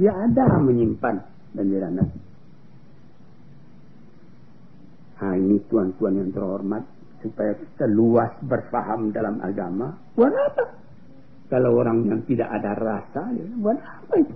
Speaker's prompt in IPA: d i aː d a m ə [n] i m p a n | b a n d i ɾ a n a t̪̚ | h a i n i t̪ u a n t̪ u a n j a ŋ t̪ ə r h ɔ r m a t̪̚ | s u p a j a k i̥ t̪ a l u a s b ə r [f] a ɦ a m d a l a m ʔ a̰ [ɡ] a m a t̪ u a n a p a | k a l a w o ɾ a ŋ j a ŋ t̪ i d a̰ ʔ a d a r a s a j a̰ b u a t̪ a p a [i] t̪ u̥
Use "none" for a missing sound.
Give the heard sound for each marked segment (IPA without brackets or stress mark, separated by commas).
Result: ɲ, f, ɡ, i